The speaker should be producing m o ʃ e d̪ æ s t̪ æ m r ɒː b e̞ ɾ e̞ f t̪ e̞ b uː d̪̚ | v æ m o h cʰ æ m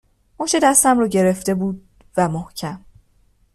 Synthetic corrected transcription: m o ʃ e d̪ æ s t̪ æ m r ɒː ɟ e̞ ɾ e̞ f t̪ e̞ b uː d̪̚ | v æ m o h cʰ æ m